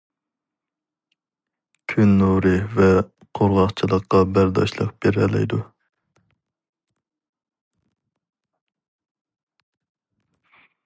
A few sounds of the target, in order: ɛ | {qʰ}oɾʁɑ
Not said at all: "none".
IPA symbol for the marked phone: qʰ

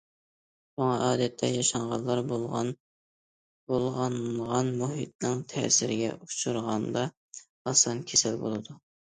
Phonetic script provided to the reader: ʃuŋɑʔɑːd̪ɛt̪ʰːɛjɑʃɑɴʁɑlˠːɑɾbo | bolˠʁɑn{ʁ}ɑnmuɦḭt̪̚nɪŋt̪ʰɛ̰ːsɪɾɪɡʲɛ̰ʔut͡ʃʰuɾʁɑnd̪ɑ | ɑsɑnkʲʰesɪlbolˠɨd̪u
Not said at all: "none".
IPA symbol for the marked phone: ʁ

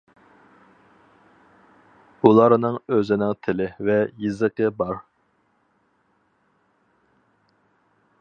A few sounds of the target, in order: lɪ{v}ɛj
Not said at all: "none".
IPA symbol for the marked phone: v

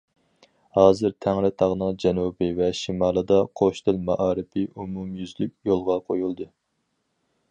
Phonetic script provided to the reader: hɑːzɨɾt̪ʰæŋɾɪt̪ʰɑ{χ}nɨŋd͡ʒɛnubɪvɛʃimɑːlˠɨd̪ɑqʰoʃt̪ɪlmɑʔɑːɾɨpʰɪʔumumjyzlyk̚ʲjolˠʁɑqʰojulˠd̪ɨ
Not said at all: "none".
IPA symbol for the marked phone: ʁ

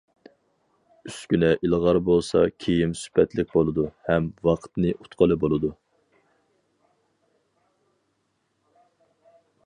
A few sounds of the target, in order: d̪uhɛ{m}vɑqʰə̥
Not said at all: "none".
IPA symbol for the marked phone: m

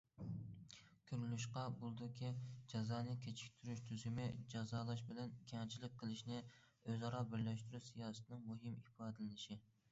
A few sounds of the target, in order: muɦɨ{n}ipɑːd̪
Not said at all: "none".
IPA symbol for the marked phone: m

